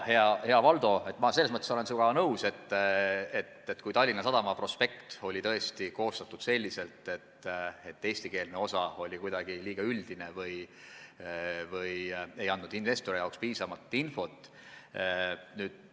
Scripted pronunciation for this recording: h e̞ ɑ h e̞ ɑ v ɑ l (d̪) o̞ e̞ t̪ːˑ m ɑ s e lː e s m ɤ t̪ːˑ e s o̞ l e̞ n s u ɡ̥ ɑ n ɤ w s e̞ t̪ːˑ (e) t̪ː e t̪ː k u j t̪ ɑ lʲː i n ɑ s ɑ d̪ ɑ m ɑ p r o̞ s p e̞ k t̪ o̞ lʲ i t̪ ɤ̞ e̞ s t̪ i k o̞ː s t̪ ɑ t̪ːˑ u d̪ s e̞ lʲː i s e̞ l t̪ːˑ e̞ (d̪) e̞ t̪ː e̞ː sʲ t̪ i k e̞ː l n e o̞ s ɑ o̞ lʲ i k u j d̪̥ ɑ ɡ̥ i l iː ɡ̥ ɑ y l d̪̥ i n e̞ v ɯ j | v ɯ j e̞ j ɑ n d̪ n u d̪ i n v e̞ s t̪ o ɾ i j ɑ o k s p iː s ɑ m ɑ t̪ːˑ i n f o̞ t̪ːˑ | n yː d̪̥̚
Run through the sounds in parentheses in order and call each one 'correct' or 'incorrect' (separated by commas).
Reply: correct, correct, incorrect